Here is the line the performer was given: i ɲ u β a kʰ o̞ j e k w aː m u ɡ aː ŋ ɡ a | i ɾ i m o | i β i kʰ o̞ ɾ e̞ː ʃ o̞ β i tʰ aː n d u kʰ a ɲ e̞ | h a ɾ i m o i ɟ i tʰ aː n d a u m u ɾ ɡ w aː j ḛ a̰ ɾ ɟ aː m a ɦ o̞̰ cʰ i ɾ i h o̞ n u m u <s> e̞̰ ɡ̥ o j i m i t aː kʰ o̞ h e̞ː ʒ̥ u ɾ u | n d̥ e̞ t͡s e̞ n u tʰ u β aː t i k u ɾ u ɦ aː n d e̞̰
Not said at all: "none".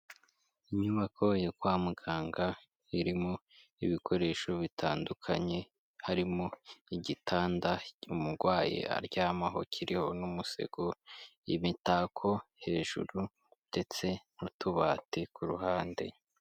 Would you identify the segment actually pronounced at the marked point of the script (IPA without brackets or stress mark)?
s